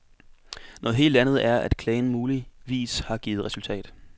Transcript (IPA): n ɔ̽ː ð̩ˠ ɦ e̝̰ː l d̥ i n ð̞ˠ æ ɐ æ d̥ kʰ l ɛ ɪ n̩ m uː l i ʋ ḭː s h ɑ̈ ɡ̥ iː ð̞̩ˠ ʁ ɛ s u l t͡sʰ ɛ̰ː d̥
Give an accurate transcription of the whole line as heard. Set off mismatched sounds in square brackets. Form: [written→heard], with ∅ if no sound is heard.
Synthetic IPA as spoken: n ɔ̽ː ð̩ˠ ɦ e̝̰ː l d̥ [i→æ] n ð̞ˠ æ ɐ æ d̥ kʰ l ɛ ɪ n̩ m uː l i ʋ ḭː s h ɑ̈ ɡ̥ iː ð̞̩ˠ ʁ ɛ s u l t͡sʰ ɛ̰ː d̥